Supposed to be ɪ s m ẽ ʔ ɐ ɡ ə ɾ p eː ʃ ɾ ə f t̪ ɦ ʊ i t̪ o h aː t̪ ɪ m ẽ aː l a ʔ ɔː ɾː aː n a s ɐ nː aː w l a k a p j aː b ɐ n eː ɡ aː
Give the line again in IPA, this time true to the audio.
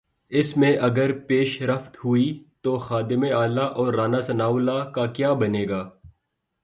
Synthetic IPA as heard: ɪ s m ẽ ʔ ɐ ɡ ə ɾ p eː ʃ ɾ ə f t̪ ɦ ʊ i t̪ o x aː d̪ ɪ m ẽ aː l a ʔ ɔː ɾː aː n a s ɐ n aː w l a k a k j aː b ɐ n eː ɡ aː